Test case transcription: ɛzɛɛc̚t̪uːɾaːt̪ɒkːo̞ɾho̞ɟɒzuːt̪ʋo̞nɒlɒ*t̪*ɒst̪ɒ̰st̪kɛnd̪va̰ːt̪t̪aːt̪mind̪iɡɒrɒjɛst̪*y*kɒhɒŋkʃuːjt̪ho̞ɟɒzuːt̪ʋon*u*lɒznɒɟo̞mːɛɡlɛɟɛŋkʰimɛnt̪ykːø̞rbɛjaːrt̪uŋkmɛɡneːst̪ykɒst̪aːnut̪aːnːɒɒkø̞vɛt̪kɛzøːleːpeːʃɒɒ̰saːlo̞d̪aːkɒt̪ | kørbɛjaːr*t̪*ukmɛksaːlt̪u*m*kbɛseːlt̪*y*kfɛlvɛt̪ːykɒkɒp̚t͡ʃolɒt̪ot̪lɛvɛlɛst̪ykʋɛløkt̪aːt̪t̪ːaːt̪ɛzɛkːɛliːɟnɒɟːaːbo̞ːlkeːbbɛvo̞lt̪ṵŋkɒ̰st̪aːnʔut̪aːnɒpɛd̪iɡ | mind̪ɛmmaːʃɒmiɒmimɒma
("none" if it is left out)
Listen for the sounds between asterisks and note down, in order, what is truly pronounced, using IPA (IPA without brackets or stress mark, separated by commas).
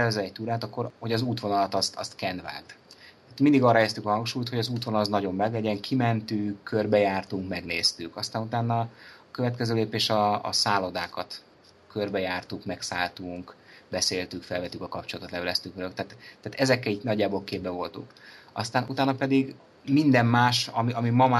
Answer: t̪, y, ɒ, t̪, ŋ, y